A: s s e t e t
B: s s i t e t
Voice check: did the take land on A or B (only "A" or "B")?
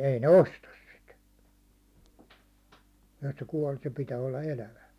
B